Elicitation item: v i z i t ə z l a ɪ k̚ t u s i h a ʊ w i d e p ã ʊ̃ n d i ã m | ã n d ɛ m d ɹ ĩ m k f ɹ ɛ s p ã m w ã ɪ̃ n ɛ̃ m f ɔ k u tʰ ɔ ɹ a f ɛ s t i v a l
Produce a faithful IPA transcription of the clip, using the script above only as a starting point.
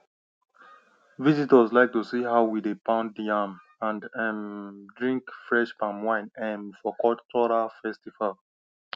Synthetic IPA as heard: v i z i t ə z l a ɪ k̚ t u s i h a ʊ w i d e p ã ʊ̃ n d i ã m | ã n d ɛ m d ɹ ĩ ŋ k f ɹ ɛ ʃ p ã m w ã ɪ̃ n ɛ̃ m f ɔ k ɔ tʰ ɔ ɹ a f ɛ s t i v a l